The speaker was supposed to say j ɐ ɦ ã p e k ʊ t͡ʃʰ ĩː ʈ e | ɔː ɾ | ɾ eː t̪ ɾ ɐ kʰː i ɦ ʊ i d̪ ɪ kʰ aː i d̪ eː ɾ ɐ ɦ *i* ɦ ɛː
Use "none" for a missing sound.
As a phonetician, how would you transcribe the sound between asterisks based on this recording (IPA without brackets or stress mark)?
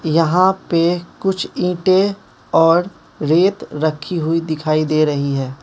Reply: i